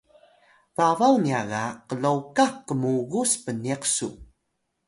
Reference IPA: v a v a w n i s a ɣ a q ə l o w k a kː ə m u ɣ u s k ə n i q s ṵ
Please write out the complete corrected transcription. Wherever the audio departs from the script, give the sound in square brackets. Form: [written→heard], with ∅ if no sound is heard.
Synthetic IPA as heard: v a v a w n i [s→∅] a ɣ a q ə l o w k a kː ə m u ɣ u s [k→p] ə n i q s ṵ